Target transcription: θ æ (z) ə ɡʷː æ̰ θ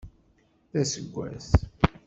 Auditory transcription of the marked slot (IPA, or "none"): s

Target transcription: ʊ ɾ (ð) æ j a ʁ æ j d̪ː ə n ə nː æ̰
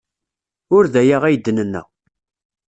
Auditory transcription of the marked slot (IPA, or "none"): ð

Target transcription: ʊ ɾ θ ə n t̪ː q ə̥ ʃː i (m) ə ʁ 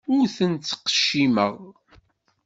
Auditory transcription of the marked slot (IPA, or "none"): m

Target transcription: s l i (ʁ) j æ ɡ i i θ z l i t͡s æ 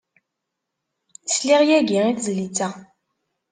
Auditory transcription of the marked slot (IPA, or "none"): ʁ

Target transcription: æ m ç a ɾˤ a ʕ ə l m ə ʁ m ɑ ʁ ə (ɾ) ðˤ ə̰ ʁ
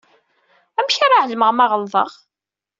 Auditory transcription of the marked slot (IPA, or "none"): l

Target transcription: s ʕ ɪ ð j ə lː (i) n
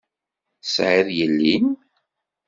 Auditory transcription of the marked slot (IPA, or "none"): i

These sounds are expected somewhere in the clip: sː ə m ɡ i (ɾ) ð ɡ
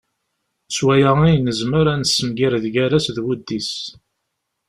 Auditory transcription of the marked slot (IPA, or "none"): ɾ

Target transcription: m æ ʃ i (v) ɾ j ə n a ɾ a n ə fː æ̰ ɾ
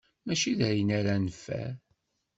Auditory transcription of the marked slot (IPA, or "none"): ð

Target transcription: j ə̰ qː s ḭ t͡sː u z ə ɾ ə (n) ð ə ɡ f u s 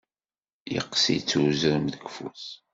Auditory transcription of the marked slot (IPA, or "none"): m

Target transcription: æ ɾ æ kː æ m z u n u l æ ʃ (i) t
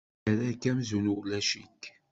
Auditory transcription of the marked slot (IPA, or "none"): i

